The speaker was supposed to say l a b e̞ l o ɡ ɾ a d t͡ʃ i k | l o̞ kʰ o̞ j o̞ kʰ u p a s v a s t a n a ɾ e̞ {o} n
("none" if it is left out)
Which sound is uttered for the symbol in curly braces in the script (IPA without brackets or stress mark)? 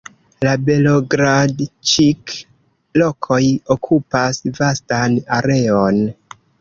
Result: o